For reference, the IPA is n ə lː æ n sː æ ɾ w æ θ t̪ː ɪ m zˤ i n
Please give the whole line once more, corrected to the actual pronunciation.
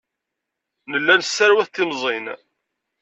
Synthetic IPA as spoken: n ə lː æ n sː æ ɾ w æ θ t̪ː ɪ m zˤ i n

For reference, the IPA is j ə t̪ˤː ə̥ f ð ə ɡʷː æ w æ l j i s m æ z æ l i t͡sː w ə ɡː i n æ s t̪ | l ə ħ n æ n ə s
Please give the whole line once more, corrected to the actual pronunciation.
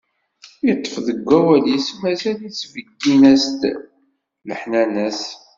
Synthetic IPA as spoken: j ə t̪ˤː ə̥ f ð ə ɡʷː æ w æ l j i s m æ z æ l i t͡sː v ə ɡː i n æ s t̪ | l ə ħ n æ n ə s

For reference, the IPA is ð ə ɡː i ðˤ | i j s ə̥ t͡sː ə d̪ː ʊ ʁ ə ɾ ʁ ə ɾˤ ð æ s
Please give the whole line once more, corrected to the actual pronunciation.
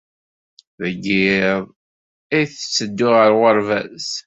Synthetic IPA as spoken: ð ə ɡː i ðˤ | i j θ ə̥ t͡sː ə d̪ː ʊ ʁ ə ɾ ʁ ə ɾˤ v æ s

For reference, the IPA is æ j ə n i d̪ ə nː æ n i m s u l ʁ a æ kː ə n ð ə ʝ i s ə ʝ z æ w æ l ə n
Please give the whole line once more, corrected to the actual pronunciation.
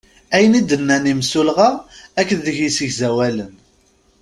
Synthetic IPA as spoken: æ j ə n i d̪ ə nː æ n i m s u l ʁ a æ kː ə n ð ə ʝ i s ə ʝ z æ w æ l ə n

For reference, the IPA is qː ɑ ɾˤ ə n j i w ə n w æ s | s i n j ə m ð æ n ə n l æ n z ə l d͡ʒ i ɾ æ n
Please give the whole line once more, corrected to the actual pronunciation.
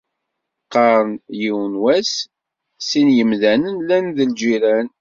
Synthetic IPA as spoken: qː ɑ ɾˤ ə n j i w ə n w æ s | s i n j ə m ð æ n ə n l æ n ð ə l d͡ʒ i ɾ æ n

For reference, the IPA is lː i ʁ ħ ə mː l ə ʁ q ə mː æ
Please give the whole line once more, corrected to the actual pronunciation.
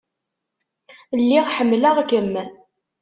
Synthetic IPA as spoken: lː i ʁ ħ ə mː l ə ʁ k ə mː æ

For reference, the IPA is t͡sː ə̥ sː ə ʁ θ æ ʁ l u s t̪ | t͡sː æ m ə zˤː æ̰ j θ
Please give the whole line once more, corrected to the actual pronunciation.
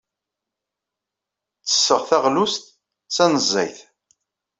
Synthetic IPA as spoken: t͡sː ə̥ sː ə ʁ θ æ ʁ l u s t̪ | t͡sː æ n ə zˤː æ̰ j θ

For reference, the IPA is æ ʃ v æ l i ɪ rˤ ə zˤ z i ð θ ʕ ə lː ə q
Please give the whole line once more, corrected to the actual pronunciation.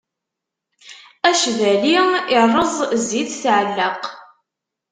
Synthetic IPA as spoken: æ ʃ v æ l i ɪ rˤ ə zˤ z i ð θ ʕ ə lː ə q

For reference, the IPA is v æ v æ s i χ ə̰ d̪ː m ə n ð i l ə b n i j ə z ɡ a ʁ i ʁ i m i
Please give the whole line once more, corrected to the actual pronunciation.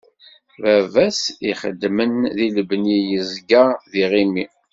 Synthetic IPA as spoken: v æ v æ s i χ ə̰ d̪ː m ə n ð i l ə b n i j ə z ɡ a ð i ʁ i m i

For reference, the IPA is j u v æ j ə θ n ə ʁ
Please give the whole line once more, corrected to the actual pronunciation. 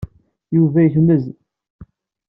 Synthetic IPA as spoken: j u v æ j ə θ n ə z

